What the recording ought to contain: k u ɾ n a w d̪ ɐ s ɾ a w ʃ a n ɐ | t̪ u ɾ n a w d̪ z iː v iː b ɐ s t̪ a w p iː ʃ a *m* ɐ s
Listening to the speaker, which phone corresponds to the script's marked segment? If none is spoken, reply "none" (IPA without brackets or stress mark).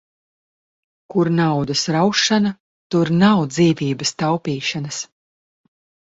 n